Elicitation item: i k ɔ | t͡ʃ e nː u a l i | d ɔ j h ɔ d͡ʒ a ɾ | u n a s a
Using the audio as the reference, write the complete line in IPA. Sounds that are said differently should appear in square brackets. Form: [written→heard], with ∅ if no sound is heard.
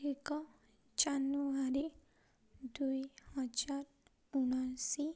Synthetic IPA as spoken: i k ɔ | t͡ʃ [e→a] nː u a [l→ɾ] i | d [ɔ→u] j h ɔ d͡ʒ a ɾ | u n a s [a→i]